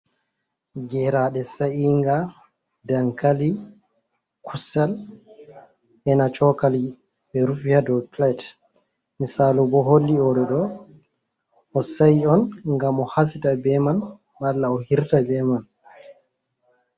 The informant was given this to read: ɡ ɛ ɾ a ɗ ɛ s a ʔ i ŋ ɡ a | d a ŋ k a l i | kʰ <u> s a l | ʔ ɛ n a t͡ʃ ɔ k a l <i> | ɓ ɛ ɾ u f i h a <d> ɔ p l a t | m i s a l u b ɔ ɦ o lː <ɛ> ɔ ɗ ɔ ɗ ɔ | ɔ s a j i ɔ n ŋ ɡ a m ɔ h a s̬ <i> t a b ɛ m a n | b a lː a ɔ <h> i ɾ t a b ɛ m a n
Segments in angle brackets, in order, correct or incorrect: correct, correct, correct, incorrect: i, correct, correct

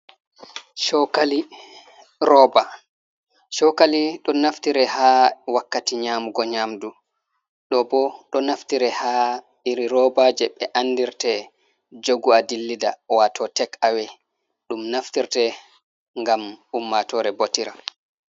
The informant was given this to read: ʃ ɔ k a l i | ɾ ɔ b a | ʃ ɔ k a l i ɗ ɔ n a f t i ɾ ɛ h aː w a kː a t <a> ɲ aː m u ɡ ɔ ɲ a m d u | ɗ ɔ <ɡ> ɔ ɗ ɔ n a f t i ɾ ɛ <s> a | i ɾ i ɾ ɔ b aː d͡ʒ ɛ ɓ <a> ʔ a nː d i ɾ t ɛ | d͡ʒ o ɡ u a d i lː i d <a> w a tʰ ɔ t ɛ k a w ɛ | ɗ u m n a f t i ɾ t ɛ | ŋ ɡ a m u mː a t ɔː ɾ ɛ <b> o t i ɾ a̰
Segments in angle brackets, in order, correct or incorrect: incorrect: i, incorrect: b, incorrect: h, incorrect: ɛ, correct, correct

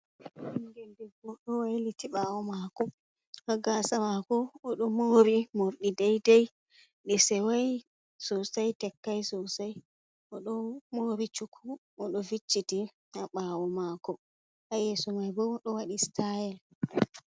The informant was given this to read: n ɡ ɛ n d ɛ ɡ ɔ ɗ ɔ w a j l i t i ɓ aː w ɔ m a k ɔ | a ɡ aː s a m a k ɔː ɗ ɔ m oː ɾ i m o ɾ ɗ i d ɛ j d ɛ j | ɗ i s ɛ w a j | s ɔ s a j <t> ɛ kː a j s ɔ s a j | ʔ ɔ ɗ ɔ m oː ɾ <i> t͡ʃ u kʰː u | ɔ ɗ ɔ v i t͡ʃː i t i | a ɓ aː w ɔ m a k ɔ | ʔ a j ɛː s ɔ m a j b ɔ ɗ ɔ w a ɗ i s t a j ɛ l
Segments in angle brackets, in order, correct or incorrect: correct, correct

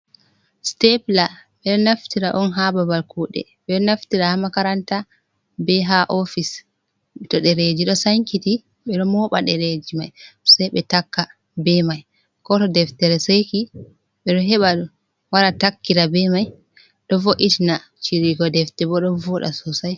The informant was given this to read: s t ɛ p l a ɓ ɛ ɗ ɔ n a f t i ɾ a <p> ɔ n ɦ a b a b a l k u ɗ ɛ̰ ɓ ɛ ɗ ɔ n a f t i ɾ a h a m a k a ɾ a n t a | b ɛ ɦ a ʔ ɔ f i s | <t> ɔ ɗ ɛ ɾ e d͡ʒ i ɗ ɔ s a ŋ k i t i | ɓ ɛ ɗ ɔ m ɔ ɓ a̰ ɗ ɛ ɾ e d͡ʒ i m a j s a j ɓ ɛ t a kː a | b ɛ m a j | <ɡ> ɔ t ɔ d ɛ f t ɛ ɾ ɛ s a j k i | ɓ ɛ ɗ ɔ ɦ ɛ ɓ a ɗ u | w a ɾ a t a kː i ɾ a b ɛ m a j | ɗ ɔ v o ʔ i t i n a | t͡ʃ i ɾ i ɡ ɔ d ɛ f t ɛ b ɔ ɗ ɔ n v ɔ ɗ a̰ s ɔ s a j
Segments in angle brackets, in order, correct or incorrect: incorrect: ʔ, correct, incorrect: k

